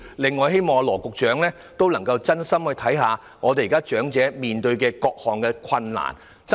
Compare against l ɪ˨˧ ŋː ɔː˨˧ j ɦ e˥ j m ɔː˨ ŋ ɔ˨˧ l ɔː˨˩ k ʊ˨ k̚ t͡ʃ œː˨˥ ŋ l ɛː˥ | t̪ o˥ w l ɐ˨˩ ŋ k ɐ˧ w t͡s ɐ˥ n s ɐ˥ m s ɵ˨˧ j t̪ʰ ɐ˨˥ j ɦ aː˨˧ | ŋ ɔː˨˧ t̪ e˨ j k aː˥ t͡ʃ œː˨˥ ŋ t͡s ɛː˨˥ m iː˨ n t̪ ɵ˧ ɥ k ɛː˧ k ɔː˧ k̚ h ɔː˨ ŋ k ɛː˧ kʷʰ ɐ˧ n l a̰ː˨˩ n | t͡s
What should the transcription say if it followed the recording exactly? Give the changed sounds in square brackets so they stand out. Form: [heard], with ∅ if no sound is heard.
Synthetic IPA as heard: l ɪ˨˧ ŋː ɔː˨˧ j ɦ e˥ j m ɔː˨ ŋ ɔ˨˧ l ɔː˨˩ k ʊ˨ k̚ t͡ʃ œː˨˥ ŋ l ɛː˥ | t̪ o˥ w l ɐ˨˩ ŋ k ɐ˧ w t͡s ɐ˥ n s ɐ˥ m [h] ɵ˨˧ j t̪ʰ ɐ˨˥ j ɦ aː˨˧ | ŋ ɔː˨˧ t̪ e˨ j k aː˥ t͡ʃ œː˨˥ ŋ t͡s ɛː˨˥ m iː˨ n t̪ ɵ˧ ɥ k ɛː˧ k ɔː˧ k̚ h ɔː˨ ŋ k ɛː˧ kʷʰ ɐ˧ n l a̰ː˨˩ n | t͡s